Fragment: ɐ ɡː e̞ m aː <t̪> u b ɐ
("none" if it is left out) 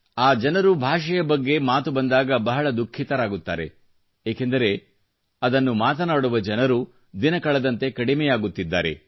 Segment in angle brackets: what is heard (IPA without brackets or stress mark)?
t̪